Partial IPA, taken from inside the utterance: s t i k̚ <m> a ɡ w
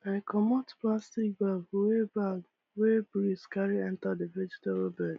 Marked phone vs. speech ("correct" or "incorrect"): incorrect